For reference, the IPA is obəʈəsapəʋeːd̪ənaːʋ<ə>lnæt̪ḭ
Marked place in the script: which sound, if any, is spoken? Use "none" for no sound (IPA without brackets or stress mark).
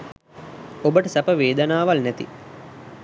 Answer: a